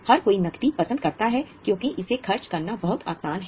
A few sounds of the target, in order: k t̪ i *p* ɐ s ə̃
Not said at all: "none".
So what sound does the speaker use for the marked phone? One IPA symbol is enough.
p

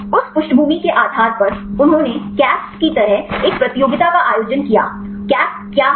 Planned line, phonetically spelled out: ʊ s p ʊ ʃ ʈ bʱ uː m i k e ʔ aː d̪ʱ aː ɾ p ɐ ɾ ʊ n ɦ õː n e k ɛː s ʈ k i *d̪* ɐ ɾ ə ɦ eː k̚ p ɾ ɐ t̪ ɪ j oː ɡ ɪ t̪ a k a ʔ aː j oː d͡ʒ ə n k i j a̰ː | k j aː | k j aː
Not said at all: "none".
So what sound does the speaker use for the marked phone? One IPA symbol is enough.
t̪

